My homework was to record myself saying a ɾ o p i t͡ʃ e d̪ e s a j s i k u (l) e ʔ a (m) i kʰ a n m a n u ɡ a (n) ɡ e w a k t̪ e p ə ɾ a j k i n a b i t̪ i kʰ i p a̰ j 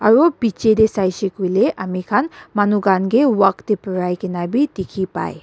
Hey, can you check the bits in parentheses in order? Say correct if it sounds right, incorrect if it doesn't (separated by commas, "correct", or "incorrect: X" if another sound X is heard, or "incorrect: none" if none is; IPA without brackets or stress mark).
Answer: correct, correct, correct